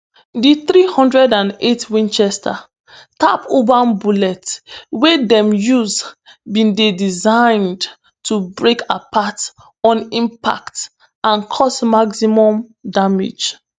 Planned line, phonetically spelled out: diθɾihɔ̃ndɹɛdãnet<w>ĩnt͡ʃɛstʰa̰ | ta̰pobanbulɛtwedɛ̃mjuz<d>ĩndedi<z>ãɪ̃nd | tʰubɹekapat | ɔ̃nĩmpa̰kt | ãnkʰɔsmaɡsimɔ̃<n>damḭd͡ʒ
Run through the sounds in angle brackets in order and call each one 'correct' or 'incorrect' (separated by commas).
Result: correct, incorrect, correct, incorrect